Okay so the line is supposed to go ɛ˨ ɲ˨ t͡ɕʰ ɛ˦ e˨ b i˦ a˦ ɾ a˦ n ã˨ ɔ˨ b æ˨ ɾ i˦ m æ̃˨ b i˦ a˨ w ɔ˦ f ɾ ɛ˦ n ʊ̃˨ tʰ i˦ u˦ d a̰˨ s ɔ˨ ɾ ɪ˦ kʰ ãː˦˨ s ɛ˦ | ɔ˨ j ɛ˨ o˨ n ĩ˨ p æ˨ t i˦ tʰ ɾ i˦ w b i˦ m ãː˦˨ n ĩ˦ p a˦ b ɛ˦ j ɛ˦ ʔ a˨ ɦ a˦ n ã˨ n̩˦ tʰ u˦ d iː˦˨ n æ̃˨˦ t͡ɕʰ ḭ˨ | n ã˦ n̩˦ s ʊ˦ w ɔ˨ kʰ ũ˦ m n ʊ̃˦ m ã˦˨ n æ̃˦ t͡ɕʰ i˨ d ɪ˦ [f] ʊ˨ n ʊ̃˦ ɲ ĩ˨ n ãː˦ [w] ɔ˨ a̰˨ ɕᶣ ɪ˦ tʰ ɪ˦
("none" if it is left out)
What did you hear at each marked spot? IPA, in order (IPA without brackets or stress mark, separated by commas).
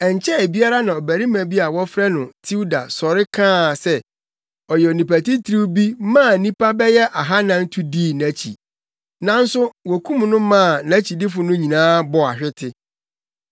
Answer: f, b